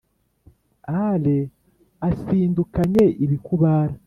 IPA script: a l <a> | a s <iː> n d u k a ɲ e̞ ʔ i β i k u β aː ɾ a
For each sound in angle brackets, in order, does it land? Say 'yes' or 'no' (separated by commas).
no, yes